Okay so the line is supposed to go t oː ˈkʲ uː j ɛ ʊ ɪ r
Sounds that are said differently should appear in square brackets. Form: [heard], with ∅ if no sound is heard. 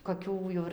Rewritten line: [k] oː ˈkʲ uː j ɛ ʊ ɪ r